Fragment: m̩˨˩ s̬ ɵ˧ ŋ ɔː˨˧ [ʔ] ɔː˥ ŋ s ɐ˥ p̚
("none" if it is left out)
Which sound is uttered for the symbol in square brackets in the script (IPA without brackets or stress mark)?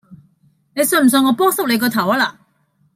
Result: p